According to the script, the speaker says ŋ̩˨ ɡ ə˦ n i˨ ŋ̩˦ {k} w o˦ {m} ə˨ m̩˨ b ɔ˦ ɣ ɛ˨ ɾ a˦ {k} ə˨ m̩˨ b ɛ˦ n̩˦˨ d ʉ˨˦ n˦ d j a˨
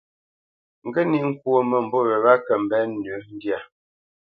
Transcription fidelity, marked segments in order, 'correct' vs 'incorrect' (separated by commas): correct, correct, correct